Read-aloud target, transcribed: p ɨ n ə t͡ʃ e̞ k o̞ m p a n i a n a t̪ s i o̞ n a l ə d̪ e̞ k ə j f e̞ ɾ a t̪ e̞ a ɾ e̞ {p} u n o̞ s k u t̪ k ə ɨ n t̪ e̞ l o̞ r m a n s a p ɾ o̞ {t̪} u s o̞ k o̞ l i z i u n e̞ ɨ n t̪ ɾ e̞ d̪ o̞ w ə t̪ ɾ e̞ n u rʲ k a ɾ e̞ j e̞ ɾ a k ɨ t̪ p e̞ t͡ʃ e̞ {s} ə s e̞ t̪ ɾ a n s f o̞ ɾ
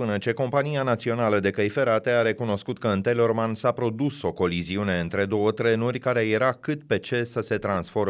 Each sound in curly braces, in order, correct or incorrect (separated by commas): incorrect, incorrect, correct